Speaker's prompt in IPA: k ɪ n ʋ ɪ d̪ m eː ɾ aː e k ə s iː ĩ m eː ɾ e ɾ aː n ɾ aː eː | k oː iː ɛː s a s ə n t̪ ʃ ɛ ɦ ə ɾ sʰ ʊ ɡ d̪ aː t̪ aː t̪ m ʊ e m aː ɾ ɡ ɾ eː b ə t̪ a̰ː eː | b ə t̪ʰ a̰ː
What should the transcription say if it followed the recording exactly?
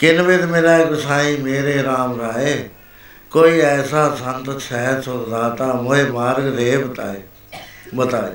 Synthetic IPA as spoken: k ɪ n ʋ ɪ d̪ m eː ɾ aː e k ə s aː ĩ m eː ɾ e ɾ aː m ɾ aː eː | k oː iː ɛː s a s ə n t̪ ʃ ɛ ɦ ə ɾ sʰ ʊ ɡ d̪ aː t̪ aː m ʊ e m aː ɾ ɡ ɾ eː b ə t̪ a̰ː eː | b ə t̪ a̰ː